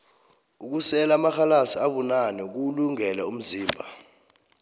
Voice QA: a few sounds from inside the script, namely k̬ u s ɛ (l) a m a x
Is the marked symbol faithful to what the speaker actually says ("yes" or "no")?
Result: yes